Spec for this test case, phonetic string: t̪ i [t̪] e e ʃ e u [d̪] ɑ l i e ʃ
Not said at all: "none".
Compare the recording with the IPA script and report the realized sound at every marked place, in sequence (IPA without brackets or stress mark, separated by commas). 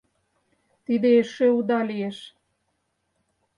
d̪, d̪